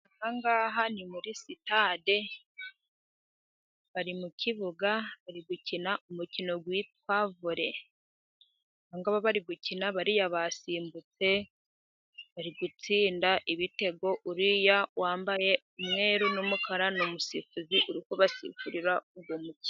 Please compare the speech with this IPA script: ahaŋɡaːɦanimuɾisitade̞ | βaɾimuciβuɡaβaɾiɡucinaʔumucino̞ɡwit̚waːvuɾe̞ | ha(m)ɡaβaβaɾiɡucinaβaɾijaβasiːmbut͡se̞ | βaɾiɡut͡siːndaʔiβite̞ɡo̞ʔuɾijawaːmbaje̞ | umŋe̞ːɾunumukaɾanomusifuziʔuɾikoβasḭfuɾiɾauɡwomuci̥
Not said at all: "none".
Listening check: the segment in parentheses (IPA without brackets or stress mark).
ŋ